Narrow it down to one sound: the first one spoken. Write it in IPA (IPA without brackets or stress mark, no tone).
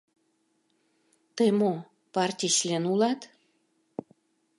t̪